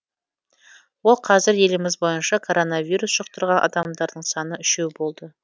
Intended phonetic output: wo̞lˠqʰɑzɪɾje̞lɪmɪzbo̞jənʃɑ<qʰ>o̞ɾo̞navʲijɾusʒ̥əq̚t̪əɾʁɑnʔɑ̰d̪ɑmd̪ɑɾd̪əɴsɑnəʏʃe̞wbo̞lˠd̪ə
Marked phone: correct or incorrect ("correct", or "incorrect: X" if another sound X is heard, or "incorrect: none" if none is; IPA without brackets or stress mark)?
incorrect: kʰ